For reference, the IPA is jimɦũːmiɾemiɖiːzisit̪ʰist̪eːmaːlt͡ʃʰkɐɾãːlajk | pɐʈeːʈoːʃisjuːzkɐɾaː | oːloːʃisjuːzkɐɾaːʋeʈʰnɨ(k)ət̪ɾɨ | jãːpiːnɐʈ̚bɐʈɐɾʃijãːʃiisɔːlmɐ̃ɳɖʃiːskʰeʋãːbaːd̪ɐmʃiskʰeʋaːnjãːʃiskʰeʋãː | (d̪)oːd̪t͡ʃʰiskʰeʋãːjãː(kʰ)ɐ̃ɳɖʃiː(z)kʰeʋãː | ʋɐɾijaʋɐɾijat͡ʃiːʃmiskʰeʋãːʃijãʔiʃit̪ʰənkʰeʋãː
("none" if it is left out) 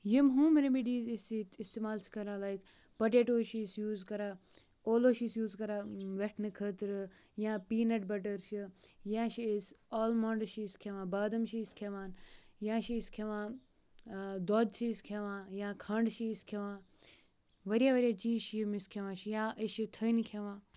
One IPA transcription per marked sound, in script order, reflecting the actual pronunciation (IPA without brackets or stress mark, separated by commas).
kʰ, d̪, kʰ, s